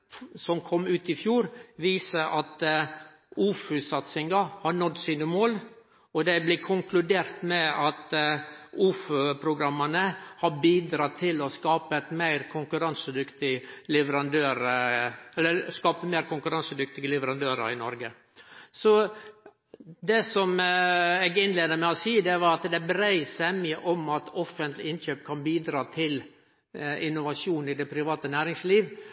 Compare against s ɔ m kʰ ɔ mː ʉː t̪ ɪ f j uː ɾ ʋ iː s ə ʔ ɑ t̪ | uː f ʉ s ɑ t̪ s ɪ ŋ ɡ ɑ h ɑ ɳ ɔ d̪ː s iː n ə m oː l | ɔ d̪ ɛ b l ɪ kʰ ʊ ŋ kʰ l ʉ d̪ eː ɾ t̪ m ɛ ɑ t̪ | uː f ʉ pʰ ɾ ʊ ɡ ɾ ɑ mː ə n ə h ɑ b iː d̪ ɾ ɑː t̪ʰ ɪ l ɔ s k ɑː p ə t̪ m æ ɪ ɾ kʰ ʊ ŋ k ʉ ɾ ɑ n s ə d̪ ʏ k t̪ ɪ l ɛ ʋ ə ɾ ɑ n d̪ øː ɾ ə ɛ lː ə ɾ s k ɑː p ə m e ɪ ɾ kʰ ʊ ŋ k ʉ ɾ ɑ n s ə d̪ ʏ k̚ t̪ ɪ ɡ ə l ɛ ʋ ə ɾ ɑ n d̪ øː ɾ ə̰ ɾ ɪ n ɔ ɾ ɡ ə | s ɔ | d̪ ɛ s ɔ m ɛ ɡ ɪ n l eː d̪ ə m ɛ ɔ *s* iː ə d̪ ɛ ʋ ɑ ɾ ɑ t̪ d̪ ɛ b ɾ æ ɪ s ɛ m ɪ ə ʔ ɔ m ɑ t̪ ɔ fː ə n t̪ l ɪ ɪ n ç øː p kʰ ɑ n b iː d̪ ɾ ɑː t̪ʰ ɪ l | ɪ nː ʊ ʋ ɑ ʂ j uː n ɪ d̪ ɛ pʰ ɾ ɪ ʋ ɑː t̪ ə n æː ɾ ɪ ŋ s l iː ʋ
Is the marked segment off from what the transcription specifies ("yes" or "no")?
no